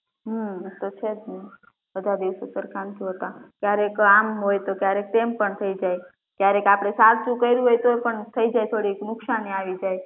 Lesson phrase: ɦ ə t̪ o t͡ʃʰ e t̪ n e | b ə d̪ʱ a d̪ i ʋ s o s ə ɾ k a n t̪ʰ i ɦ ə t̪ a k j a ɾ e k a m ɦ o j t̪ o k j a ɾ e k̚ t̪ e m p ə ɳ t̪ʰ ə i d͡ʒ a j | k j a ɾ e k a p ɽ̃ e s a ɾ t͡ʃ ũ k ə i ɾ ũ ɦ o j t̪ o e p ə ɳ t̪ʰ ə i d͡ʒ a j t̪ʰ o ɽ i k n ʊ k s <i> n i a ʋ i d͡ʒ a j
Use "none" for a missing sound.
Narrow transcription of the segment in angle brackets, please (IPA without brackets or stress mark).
a